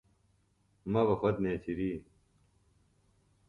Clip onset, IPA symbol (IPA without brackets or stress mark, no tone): m